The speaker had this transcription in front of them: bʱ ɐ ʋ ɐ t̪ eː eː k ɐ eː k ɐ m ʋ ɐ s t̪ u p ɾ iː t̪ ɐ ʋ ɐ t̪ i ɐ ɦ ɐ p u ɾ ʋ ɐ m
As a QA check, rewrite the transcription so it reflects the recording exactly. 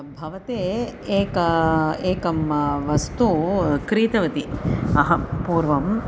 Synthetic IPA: bʱ ɐ ʋ ɐ t̪ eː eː k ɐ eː k ɐ m ʋ ɐ s t̪ u k ɾ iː t̪ ɐ ʋ ɐ t̪ i ɐ ɦ ɐ p uː ɾ ʋ ɐ m